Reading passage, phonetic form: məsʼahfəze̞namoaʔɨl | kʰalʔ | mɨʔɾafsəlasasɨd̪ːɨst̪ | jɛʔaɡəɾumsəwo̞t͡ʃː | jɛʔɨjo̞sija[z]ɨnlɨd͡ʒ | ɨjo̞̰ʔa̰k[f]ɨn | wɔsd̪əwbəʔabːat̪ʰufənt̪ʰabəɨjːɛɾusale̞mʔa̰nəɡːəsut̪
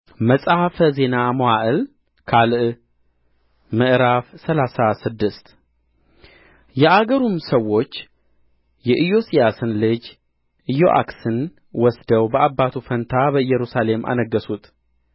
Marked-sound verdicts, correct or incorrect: incorrect: s, incorrect: s

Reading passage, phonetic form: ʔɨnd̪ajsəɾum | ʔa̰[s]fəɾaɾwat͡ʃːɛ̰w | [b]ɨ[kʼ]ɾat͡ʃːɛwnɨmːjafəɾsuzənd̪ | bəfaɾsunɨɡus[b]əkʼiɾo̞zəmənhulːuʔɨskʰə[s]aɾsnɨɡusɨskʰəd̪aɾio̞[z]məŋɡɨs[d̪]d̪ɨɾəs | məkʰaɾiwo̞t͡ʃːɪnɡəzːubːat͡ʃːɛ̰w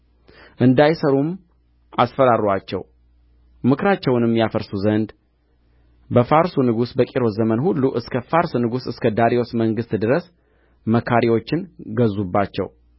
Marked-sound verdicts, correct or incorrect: correct, incorrect: m, incorrect: k, correct, incorrect: f, incorrect: s, incorrect: t̪

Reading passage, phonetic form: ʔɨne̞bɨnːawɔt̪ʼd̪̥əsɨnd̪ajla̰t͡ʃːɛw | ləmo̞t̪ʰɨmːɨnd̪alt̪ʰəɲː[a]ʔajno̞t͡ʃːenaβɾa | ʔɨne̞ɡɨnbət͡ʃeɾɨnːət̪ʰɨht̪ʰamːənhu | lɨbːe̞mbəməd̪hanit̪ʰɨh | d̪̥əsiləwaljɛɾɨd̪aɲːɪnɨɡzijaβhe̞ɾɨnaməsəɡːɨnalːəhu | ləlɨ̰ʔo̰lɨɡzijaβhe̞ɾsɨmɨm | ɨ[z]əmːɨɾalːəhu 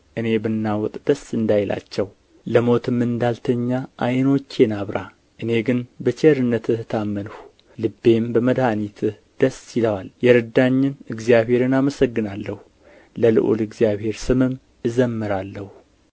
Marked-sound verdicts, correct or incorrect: correct, correct

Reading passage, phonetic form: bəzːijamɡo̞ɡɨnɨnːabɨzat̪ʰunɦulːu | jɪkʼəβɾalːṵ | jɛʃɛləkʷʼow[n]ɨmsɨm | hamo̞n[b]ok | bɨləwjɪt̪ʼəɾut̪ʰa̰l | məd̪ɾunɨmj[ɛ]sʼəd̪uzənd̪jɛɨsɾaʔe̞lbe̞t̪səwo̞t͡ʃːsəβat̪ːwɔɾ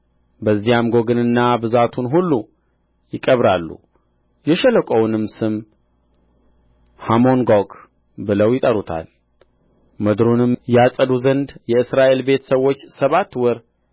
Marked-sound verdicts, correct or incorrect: correct, incorrect: ɡ, incorrect: a

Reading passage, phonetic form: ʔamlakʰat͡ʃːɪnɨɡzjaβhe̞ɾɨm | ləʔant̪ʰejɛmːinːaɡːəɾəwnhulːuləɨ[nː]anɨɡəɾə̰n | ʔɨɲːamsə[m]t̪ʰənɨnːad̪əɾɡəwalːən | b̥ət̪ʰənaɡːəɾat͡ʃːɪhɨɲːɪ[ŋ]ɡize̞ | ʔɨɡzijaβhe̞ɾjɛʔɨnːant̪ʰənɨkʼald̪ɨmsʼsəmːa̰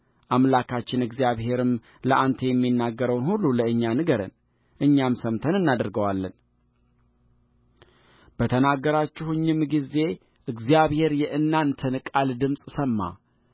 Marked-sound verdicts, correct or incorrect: incorrect: ɲː, correct, incorrect: m

